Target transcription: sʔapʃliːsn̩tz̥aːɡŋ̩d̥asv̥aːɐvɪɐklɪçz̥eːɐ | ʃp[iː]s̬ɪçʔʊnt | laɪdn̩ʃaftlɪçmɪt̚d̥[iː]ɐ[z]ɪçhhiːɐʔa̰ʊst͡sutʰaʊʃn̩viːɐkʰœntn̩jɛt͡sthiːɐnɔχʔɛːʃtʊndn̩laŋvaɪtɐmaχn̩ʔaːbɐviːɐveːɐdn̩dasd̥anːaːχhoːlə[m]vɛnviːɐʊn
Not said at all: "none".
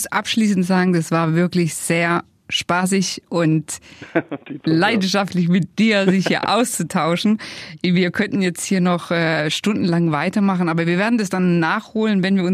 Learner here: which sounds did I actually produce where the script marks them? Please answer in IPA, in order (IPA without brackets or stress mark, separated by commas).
aː, iː, z, n